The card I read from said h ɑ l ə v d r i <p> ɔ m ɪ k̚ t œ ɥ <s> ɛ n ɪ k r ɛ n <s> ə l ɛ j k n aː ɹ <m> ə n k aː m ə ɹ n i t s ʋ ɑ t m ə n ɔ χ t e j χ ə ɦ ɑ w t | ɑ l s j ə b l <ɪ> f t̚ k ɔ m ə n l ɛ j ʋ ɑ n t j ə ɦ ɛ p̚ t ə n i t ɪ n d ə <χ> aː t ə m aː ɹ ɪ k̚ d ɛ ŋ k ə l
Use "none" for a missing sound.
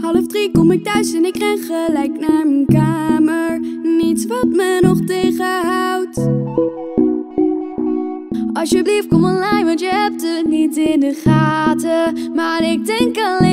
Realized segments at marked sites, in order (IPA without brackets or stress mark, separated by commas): k, s, χ, m, i, χ